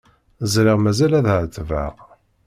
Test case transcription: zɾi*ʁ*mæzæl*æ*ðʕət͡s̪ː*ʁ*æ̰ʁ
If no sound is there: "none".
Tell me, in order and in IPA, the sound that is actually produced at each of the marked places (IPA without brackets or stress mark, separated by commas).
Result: ʁ, æ, v